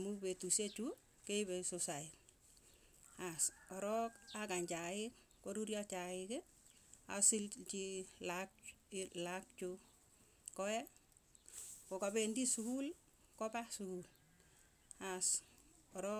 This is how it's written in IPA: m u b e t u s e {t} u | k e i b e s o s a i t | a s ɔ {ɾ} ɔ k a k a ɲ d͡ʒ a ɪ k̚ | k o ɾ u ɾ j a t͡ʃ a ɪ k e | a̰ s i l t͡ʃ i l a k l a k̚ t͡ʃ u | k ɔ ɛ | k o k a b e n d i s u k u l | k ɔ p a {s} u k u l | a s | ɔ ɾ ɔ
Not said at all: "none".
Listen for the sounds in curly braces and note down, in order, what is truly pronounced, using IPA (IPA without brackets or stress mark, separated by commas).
t͡ʃ, ɾ, s